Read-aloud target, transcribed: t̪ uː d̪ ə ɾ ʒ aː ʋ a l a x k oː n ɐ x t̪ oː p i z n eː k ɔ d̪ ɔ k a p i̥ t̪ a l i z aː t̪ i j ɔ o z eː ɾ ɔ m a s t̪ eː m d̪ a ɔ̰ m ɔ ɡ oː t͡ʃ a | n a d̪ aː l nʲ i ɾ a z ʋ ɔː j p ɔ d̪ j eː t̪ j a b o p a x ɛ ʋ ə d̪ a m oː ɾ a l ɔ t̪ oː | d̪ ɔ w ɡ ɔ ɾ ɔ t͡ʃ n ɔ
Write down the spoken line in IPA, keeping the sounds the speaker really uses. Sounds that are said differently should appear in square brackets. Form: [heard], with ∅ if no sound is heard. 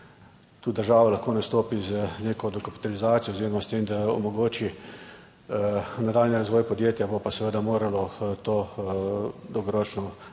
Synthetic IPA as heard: t̪ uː d̪ ə ɾ ʒ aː ʋ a l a x k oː n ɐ [s] t̪ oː p i z n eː k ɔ d̪ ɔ k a p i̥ t̪ a l i z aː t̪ i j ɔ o z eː ɾ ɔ m a s t̪ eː m d̪ a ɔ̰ m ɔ ɡ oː t͡ʃ [i] | n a d̪ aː l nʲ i ɾ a z ʋ ɔː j p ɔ d̪ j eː t̪ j a b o p a [s] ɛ ʋ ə d̪ a m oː ɾ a l ɔ t̪ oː | d̪ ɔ w ɡ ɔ ɾ ɔ t͡ʃ n ɔ